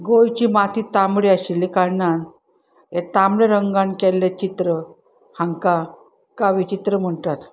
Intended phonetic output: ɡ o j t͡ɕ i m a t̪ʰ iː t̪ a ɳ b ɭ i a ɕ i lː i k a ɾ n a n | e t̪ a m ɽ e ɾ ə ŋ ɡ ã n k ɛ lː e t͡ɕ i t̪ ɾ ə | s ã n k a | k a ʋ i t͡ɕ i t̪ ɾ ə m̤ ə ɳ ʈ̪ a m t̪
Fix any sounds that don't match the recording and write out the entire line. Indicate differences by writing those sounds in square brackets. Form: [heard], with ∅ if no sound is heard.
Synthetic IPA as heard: ɡ o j t͡ɕ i m a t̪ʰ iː t̪ a [m] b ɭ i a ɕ i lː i k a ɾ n a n | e t̪ a m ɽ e ɾ ə ŋ ɡ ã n k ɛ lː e t͡ɕ i t̪ ɾ ə | [h] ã [ŋ] k a | k a ʋ i t͡ɕ i t̪ ɾ ə m̤ ə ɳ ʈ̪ a [∅] t̪